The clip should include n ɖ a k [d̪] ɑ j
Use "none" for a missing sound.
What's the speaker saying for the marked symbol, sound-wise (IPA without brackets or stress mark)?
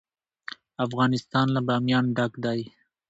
d̪